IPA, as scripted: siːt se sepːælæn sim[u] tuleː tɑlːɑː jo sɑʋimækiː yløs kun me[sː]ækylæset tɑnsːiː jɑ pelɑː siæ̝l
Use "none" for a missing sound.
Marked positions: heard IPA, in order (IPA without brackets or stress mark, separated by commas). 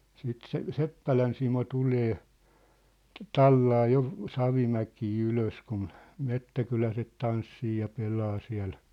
o, tː